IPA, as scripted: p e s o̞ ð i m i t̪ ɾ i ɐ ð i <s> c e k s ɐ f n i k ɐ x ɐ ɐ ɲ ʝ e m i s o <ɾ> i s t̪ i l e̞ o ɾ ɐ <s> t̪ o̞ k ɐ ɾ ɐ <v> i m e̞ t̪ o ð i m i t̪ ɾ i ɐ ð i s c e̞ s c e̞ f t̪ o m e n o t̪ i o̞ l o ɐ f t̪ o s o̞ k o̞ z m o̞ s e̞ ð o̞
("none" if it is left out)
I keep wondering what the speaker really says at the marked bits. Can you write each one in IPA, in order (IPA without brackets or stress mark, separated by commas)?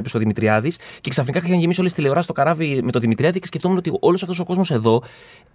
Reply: s, l, s, v